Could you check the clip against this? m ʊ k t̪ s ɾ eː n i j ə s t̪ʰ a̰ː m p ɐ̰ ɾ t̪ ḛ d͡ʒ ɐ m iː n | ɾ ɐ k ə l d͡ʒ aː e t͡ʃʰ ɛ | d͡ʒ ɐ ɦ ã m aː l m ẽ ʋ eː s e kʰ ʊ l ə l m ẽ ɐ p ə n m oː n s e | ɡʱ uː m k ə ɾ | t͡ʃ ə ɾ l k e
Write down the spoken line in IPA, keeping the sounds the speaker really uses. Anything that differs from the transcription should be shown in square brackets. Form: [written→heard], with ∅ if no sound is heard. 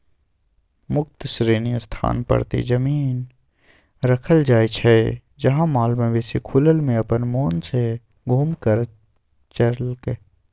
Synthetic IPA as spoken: m ʊ k t̪ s ɾ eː n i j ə s t̪ʰ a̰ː [m→n] p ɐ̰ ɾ t̪ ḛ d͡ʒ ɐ m iː n | ɾ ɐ [k→kʰ] ə l d͡ʒ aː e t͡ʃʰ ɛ | d͡ʒ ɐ ɦ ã m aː l m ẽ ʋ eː s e kʰ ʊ l ə l m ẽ ɐ p ə n m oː n s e | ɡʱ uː m k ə ɾ | t͡ʃ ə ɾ l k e